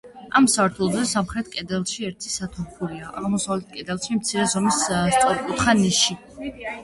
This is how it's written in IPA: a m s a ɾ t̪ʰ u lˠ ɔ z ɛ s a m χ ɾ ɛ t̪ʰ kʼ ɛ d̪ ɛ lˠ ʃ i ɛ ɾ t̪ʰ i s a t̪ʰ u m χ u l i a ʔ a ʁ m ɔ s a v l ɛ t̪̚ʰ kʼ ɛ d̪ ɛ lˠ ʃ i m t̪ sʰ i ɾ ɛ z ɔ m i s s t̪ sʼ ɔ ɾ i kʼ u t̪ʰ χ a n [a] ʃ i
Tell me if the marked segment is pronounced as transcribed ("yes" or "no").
no